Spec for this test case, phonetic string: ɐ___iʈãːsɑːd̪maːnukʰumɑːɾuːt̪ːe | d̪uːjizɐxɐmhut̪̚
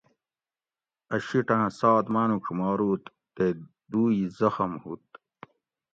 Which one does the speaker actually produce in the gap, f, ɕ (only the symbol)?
ɕ